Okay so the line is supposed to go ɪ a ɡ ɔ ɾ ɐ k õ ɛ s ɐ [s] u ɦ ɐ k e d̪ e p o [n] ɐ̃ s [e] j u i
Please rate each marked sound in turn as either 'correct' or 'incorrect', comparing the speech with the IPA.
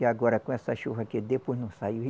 incorrect: ʃ, correct, incorrect: a

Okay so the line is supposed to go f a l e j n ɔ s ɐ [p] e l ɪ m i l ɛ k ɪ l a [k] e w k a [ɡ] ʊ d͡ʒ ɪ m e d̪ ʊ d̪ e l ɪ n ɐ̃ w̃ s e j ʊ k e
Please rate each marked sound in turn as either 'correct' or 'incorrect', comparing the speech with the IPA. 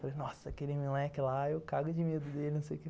incorrect: k, incorrect: none, correct

